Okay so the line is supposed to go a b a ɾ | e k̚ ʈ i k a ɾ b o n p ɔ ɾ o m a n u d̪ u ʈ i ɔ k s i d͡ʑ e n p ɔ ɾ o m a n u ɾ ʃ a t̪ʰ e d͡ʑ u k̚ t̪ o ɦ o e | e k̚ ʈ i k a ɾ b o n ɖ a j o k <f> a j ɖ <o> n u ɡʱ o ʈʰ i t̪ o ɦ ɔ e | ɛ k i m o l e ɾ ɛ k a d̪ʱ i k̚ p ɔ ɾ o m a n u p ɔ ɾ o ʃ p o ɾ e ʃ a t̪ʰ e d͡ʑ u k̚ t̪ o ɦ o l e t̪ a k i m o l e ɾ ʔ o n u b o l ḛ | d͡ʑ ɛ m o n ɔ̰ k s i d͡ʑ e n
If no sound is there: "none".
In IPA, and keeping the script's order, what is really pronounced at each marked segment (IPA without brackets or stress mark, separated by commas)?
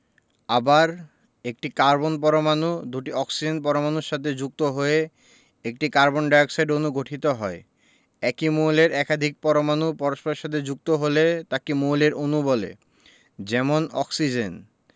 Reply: s, o